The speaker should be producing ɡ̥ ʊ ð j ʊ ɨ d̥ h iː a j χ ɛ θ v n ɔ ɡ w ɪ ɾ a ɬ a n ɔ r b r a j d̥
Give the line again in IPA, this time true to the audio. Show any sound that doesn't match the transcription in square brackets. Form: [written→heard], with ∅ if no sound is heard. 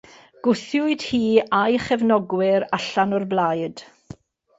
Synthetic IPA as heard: ɡ̥ ʊ [ð→θ] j ʊ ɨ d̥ h iː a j χ ɛ [θ→∅] v n ɔ ɡ w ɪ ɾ a ɬ a n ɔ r b [r→l] a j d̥

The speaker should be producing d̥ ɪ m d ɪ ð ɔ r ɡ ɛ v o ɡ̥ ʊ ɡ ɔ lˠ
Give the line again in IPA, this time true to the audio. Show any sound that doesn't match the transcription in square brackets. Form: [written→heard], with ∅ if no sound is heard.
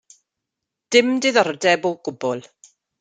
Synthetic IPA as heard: d̥ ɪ m d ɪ ð ɔ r [ɡ→d] ɛ [v→b] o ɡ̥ ʊ [ɡ→b] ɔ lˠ

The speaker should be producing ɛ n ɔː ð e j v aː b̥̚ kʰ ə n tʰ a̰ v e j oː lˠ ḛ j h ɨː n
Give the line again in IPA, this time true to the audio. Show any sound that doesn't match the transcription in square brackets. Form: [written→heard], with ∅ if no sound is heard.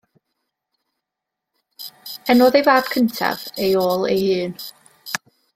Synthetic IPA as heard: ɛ n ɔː ð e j v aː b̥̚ kʰ ə n tʰ a̰ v e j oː lˠ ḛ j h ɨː n

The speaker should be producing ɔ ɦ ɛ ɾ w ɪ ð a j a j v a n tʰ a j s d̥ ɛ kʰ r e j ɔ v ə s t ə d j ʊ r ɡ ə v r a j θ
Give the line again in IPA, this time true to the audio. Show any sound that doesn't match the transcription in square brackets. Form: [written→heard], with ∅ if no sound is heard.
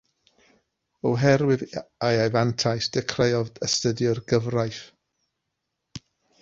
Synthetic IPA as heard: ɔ ɦ ɛ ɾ w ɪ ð a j a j v a n tʰ a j s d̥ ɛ kʰ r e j ɔ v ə s t ə d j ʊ r ɡ ə v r a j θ

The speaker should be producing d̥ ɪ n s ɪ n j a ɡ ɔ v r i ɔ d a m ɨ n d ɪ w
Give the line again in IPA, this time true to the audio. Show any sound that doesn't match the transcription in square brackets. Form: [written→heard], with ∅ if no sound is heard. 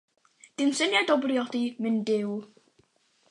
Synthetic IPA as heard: d̥ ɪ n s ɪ n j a [ɡ→d] ɔ [v→b] r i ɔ d [a→i] m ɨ n d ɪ w

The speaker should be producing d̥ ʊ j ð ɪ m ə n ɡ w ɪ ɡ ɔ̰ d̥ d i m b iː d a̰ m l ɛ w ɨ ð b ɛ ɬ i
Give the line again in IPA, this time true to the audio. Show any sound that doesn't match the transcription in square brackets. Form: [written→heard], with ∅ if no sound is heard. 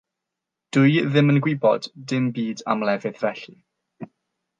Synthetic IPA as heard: d̥ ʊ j ð ɪ m ə n ɡ w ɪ [ɡ→b] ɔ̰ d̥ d [i→ɪ] m b iː d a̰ m l ɛ [w→v] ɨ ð [b→v] ɛ ɬ i

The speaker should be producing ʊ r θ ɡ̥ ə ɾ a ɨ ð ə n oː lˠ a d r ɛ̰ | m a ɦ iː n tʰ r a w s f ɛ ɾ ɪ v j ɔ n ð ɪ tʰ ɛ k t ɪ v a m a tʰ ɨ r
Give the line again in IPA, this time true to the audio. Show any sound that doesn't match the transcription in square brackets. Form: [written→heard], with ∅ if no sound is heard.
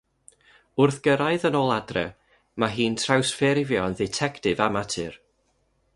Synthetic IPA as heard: ʊ r θ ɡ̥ ə ɾ a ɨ ð ə n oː lˠ a d r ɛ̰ | m a ɦ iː n tʰ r a w s f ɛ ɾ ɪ v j ɔ n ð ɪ tʰ ɛ k t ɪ v a m a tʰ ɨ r

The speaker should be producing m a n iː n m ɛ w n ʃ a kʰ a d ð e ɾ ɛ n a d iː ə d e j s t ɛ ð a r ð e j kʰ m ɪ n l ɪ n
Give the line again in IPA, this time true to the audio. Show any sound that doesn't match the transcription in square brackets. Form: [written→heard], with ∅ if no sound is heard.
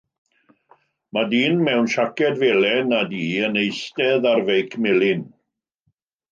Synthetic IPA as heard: m a [n→d] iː n m ɛ w n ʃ a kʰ [a→ɛ] d [ð→v] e [ɾ→l] ɛ n a d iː ə [d→n] e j s t ɛ ð a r [ð→v] e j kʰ m ɪ [n→∅] l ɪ n

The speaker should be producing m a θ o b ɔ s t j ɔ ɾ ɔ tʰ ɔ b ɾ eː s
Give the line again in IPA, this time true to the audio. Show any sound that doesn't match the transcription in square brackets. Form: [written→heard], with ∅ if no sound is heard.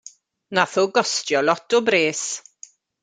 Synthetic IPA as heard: [m→n] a θ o [b→ɡ] ɔ s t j ɔ [ɾ→l] ɔ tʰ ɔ b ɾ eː s

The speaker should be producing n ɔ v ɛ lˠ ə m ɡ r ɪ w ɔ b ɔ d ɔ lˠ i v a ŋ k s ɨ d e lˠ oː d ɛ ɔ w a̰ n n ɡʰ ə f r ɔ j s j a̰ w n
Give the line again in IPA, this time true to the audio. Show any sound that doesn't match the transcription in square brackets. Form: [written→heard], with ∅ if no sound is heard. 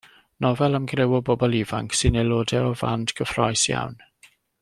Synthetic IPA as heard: n ɔ v ɛ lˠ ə m ɡ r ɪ w ɔ b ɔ [d→b] ɔ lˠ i v a ŋ k s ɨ [d→n] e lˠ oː d ɛ ɔ [w→v] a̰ n [n→d] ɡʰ ə f r ɔ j s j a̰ w n

